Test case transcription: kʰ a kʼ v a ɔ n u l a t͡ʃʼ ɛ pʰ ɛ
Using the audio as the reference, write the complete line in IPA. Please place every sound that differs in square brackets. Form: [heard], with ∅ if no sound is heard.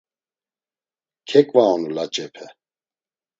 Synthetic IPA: kʰ [ɛ] kʼ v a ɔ n u l a t͡ʃʼ ɛ pʰ ɛ